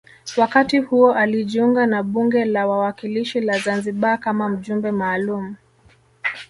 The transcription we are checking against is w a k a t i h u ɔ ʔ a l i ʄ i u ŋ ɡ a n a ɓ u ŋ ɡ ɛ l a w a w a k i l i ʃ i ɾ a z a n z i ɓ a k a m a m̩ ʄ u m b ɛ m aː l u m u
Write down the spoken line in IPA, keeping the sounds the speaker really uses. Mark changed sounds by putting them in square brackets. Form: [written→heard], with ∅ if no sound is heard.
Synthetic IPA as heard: w a k a t i h u ɔ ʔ a l i ʄ i u ŋ ɡ a n a ɓ u ŋ ɡ ɛ l a w a w a k i l i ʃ i [ɾ→l] a z a n z i ɓ a k a m a m̩ ʄ u m b ɛ m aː l u m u